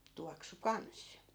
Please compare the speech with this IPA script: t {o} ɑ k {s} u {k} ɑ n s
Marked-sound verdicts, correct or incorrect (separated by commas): incorrect, correct, correct